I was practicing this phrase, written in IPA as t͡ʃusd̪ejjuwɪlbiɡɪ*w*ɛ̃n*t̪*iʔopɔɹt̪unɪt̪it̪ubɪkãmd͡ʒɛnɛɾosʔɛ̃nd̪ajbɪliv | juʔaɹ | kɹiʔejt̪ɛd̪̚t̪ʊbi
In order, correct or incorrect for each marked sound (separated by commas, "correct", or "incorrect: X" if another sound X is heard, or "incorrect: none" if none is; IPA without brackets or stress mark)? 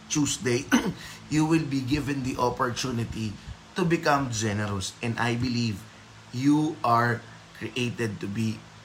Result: incorrect: v, incorrect: d̪